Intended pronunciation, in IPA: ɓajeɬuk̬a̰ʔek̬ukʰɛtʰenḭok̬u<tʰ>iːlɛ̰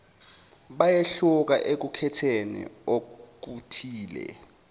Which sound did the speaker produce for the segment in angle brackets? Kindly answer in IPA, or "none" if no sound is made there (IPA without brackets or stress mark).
tʰ